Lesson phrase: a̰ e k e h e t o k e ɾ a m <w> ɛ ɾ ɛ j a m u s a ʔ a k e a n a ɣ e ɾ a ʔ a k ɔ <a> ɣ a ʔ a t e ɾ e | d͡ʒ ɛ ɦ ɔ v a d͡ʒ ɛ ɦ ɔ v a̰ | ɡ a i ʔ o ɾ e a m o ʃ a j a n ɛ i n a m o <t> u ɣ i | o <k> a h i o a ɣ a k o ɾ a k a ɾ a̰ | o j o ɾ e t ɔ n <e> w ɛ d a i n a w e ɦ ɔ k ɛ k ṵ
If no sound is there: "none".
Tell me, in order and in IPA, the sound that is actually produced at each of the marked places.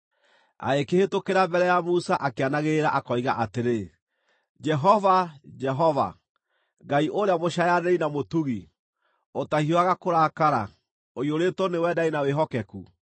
b, i, t, t, e

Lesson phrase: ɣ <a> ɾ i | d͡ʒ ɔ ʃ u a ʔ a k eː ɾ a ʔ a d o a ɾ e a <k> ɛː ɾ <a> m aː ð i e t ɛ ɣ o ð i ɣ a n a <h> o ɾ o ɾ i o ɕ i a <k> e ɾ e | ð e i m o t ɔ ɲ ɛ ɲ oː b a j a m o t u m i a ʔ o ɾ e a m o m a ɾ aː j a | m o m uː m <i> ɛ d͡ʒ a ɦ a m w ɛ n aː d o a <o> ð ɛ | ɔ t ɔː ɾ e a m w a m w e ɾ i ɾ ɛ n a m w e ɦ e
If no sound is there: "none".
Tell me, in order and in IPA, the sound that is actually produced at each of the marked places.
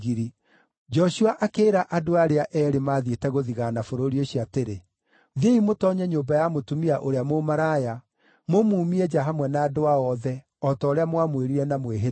i, ʔ, e, f, t, i, ɔ

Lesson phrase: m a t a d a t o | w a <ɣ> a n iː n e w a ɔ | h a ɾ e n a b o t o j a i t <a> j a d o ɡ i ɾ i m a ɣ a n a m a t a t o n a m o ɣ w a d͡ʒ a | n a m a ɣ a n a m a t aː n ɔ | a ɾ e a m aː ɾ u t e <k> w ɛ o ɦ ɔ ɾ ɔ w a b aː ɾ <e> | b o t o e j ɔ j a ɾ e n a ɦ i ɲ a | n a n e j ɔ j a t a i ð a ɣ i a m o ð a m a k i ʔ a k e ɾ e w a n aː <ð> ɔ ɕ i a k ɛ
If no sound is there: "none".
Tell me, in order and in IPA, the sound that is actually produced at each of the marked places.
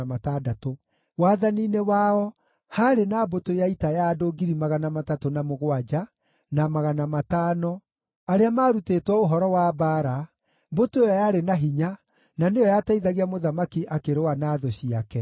ð, a, t, a, ð

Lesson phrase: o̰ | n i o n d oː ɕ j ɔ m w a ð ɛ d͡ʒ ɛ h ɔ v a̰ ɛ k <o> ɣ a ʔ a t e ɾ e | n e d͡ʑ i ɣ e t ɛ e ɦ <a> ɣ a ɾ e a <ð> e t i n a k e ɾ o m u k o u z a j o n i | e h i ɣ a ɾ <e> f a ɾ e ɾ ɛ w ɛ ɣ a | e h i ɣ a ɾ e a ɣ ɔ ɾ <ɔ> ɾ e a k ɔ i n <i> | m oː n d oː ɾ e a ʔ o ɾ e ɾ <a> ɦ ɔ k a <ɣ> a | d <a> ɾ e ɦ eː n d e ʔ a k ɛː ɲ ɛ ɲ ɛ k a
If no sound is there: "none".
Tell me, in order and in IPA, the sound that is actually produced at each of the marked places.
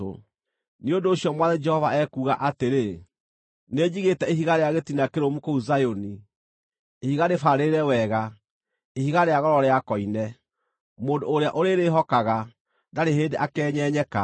u, i, ɣ, e, ɔ, ɛ, e, ɣ, a

